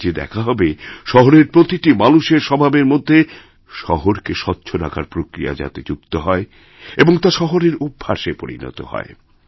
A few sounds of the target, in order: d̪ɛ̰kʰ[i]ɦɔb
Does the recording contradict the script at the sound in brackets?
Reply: yes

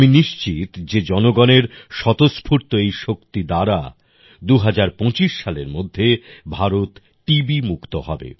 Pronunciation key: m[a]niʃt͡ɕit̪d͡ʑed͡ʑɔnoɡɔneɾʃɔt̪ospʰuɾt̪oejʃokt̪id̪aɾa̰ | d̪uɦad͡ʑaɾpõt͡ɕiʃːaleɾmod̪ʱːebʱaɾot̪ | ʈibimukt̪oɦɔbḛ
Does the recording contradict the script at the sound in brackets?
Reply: yes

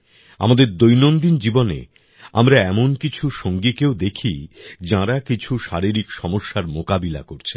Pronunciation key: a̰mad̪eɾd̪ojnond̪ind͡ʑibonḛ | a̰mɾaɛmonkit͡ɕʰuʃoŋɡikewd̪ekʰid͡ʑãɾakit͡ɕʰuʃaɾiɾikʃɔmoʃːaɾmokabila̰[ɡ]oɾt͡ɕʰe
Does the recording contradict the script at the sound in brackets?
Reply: yes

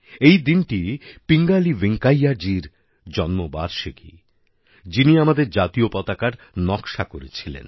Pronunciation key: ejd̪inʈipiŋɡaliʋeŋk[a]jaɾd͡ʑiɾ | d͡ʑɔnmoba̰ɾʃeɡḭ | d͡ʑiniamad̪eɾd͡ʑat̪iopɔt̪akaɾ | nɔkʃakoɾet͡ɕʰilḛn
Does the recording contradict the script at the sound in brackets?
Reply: no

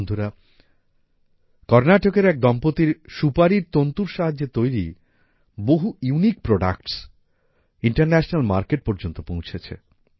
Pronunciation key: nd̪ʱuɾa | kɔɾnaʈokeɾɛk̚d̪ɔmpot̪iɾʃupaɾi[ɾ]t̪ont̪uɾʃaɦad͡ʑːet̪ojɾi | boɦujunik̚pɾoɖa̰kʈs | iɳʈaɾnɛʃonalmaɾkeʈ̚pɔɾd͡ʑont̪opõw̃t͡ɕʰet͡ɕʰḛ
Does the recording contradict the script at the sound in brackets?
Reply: no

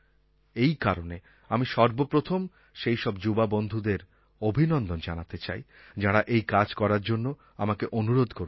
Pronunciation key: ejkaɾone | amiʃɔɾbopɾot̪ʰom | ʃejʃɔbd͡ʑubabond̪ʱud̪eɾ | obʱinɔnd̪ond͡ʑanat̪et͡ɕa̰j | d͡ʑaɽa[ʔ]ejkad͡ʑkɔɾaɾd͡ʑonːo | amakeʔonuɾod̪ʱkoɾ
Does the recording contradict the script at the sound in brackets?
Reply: no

